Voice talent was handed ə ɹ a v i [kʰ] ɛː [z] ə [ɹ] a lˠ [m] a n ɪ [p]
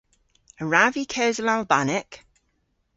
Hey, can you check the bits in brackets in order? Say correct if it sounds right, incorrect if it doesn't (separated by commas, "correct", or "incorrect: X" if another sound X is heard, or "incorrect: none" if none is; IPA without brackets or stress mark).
correct, correct, incorrect: l, incorrect: b, incorrect: k